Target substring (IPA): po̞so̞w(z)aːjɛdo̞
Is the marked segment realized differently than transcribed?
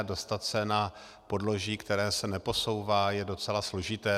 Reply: yes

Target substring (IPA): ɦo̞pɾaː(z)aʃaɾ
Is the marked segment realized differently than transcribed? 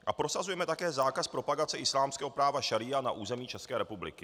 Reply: yes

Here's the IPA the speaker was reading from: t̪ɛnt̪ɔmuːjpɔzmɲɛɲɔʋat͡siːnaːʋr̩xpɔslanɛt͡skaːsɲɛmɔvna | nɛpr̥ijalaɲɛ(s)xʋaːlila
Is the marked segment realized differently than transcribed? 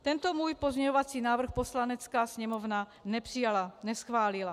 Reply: no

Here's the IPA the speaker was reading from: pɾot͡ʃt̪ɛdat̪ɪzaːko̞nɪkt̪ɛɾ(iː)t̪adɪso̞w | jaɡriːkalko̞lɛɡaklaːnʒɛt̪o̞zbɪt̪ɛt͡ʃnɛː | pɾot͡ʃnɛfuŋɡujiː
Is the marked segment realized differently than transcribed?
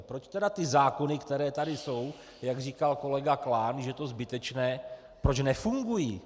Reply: yes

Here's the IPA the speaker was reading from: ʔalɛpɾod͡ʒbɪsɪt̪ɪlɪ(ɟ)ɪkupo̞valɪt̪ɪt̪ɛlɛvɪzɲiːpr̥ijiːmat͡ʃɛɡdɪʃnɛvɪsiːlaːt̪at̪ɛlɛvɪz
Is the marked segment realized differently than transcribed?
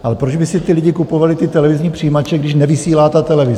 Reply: no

